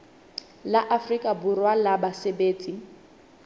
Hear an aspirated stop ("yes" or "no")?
no